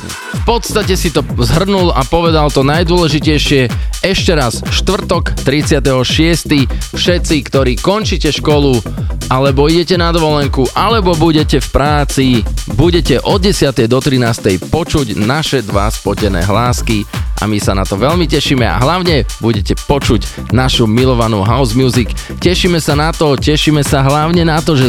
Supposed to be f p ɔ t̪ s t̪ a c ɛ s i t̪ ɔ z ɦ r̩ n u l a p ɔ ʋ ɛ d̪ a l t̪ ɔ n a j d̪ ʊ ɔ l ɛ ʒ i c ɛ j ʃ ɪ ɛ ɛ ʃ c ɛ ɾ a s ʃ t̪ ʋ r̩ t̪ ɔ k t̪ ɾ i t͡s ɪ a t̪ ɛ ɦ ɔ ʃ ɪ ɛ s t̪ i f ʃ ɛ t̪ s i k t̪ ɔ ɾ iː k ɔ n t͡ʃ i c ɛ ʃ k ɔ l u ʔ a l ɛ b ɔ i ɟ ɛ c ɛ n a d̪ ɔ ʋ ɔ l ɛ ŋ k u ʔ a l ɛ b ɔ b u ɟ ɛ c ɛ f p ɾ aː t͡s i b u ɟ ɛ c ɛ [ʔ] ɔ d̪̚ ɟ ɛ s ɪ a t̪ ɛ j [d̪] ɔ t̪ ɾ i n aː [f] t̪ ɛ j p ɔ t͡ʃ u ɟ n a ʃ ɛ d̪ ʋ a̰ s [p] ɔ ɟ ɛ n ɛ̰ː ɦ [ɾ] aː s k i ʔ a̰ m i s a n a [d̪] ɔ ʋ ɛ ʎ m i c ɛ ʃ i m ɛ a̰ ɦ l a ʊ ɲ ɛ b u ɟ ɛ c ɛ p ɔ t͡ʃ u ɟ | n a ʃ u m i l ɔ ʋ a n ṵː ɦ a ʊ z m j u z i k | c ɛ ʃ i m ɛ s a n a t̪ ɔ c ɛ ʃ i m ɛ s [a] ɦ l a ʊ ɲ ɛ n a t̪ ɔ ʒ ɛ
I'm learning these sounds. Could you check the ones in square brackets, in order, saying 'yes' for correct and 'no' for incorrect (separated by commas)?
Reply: yes, yes, no, yes, no, no, yes